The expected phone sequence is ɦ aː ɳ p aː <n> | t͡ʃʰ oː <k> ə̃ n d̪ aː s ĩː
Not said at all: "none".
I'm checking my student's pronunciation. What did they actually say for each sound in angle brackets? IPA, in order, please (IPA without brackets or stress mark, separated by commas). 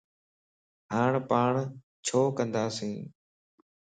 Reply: ɳ, k